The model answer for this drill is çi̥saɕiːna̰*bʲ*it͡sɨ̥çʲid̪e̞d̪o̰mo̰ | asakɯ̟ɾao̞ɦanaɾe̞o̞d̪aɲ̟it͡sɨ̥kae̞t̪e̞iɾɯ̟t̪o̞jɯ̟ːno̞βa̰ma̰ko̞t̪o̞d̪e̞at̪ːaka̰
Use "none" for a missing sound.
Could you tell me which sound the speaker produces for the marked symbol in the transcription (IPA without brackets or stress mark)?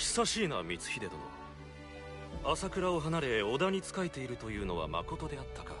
mʲ